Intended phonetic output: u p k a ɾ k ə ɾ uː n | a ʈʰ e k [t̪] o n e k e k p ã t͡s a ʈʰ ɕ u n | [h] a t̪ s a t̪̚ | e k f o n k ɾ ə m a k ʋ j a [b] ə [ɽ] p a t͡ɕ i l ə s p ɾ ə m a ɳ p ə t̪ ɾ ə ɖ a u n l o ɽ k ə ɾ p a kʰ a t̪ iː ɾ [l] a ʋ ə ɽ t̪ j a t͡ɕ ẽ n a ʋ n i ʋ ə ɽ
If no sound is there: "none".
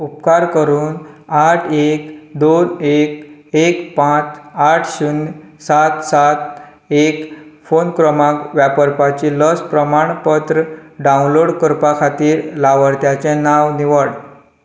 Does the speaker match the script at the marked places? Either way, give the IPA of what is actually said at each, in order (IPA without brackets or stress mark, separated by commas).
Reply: d̪, s, p, ɾ, l